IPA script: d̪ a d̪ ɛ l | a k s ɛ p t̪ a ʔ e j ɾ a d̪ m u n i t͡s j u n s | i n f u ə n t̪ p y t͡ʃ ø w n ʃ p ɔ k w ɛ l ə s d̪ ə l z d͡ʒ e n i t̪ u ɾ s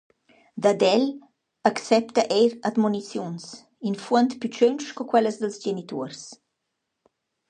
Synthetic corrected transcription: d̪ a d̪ ɛ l | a k s ɛ p t̪ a ʔ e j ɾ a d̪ m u n i t͡s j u n s | i n f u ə n t̪ p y t͡ʃ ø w n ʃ k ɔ k w ɛ l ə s d̪ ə l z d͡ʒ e n i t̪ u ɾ s